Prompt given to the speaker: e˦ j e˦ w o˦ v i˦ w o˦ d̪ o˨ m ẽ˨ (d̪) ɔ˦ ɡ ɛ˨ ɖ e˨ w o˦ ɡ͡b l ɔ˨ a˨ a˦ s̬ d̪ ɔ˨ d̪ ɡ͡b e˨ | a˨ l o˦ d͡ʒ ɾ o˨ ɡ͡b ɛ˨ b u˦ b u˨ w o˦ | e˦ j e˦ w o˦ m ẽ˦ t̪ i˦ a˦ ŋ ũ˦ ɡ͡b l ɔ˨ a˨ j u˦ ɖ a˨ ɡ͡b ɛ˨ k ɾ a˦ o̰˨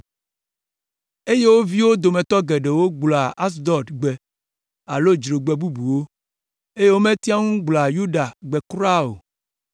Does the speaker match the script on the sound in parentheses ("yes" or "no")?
no